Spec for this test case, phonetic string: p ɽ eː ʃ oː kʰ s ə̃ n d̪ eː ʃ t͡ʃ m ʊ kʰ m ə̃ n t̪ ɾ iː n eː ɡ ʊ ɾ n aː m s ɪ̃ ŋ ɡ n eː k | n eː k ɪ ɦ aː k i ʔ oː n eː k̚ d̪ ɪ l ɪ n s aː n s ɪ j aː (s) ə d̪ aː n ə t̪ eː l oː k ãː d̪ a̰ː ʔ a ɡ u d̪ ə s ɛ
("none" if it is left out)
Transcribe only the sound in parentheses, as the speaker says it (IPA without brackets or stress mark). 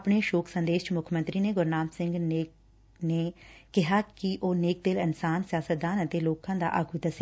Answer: s